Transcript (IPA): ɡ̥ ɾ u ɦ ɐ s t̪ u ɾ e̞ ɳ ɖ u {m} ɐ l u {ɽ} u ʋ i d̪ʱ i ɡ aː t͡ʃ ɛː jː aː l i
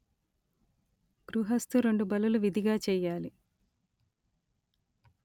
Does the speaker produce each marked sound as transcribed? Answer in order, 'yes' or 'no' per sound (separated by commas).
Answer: no, no